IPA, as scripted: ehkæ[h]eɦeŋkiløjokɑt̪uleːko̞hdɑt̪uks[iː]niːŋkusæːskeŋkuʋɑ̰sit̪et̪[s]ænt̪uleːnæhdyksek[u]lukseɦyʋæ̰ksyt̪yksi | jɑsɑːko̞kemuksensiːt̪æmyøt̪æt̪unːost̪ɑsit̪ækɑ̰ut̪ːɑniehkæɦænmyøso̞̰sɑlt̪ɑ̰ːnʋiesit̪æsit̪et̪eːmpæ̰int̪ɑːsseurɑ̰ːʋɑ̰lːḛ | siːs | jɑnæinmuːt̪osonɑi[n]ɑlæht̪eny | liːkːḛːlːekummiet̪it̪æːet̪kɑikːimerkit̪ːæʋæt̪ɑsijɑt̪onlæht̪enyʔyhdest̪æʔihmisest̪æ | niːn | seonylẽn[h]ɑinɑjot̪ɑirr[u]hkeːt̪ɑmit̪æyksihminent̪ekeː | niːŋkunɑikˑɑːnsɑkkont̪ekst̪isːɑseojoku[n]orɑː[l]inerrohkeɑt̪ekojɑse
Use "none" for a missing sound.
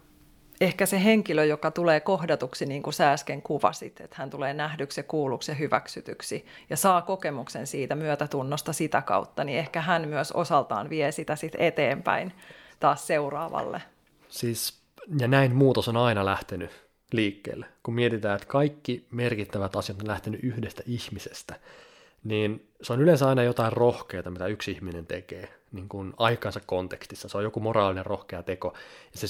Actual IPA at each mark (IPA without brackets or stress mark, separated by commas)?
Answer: s, i, h, uː, n, s, o, m, l